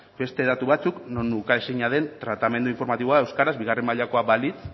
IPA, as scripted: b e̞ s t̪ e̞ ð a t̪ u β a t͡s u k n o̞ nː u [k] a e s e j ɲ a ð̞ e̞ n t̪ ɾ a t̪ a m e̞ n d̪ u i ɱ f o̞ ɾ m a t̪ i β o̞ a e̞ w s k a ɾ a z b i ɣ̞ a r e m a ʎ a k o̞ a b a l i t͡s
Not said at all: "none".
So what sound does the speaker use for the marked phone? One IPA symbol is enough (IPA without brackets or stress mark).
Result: k